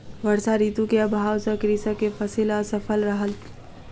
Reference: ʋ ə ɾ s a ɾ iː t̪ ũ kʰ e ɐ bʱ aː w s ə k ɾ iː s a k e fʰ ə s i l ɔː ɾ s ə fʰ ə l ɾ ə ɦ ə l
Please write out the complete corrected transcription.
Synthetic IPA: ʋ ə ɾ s a ɾ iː t̪ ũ k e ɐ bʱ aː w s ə k ɾ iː s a k e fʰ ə s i l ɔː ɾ s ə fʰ ə l ɾ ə ɦ ə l